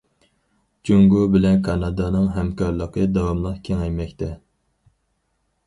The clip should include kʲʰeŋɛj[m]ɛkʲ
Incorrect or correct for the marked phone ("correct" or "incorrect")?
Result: correct